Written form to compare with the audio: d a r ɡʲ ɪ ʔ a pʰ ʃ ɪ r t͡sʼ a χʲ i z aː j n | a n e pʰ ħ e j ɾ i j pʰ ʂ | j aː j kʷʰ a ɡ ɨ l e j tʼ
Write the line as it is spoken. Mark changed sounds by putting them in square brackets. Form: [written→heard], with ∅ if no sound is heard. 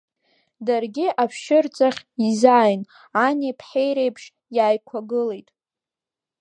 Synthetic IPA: d a r ɡʲ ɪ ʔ a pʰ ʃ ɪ r t͡sʼ a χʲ i z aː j n | a n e pʰ ħ e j ɾ [i→e] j pʰ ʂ | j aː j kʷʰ a ɡ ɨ l e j tʼ